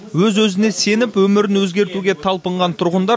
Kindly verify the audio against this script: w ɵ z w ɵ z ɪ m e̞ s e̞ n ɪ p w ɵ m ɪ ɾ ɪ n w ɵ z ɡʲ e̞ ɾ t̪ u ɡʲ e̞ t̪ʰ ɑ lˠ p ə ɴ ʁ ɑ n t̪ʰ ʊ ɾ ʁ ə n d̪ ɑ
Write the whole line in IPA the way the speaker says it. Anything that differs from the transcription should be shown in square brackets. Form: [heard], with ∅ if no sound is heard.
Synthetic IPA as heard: w ɵ z w ɵ z ɪ [n] e̞ s e̞ n ɪ p w ɵ m ɪ ɾ ɪ n w ɵ z ɡʲ e̞ ɾ t̪ u ɡʲ e̞ t̪ʰ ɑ lˠ p ə ɴ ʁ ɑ n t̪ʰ ʊ ɾ ʁ ə n d̪ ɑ